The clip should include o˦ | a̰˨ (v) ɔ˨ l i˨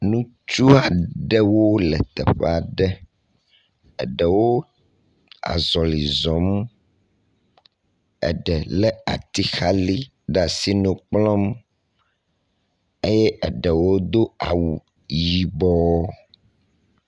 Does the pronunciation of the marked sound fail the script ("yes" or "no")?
yes